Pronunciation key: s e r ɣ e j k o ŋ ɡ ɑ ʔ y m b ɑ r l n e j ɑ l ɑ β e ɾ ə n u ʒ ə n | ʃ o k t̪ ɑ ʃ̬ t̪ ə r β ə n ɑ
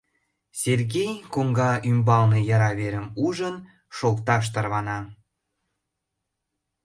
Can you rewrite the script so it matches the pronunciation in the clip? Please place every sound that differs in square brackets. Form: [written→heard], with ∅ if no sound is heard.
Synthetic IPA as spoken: s e r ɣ e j k o ŋ ɡ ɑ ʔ y m b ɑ [r→∅] l n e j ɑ [l→ɾ] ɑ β e ɾ ə [n→m] u ʒ ə n | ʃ o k t̪ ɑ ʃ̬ t̪ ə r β [ə→ɑ] n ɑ